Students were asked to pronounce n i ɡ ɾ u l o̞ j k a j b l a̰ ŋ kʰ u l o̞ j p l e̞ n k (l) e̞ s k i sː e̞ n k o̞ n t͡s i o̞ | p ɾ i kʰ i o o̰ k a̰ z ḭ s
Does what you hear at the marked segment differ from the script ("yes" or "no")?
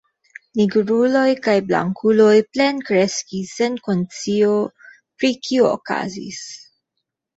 yes